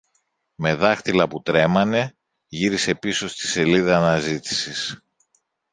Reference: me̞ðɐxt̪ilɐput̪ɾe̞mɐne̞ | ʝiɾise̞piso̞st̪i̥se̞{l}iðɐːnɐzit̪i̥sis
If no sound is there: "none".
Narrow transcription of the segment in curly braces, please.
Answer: l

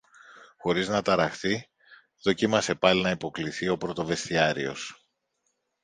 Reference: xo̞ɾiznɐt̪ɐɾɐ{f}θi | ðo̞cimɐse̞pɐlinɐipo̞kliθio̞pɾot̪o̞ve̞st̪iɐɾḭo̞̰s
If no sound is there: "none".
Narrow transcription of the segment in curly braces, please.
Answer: x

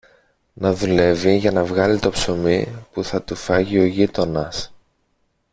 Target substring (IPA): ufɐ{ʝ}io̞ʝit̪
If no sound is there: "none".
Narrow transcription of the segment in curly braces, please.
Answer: ʝ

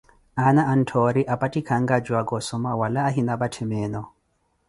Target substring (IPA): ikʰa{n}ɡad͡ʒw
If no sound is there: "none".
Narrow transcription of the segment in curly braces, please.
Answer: ŋ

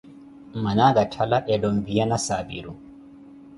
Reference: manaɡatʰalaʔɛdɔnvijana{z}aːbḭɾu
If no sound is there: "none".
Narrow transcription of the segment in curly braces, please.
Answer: s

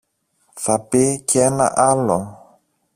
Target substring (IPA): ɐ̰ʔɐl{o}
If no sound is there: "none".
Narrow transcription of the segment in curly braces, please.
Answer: o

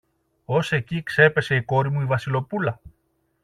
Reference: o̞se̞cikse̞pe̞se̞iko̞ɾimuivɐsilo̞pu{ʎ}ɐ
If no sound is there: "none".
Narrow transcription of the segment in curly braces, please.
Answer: l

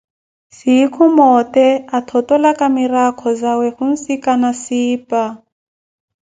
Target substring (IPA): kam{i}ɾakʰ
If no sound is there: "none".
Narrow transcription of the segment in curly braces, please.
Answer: i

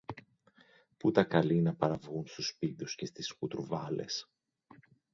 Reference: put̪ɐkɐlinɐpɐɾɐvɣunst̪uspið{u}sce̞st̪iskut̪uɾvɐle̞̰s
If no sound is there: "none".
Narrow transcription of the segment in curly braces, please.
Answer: u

